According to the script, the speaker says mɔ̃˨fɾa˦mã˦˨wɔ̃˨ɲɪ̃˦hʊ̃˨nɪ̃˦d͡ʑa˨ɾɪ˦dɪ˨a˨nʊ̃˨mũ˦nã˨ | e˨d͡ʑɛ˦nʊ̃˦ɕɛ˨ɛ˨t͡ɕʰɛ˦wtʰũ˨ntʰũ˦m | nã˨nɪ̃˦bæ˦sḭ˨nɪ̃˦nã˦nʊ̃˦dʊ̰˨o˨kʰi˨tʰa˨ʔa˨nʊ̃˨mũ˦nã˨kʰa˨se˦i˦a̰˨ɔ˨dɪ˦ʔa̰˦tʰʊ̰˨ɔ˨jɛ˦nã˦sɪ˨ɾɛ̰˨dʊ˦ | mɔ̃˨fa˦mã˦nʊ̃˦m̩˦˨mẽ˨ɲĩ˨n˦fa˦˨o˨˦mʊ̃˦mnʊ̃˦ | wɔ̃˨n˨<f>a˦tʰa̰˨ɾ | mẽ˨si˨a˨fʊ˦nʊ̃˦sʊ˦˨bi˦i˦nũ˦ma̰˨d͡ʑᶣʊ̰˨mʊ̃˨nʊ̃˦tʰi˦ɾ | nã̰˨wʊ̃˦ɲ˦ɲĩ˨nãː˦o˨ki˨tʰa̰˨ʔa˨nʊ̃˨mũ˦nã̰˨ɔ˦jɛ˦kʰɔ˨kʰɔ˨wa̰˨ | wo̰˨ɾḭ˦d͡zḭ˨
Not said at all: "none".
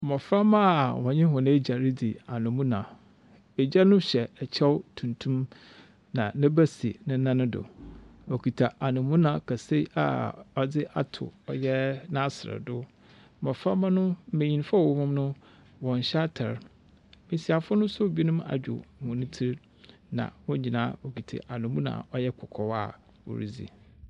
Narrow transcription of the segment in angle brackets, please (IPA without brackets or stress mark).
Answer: ɕ